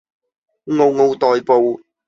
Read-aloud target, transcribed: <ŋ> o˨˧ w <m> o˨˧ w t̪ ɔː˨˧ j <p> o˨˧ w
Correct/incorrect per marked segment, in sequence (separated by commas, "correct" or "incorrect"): correct, incorrect, correct